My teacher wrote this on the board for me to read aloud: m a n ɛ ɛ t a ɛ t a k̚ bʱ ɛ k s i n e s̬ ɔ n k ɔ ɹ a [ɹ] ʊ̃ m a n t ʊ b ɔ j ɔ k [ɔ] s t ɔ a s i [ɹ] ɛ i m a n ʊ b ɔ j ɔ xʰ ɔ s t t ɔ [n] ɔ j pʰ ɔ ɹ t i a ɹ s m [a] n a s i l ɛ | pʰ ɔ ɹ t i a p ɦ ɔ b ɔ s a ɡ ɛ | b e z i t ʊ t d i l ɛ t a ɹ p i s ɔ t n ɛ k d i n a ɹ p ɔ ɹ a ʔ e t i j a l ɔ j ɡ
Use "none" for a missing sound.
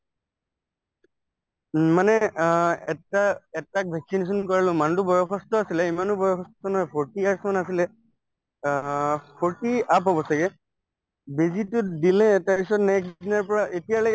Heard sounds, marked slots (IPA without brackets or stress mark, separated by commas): l, ɔ, l, n, a